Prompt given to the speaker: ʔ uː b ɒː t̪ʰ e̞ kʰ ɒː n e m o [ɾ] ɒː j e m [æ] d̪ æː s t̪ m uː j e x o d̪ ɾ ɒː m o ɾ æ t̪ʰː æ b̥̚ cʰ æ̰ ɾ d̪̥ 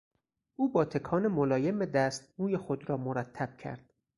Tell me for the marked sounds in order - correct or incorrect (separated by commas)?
incorrect, incorrect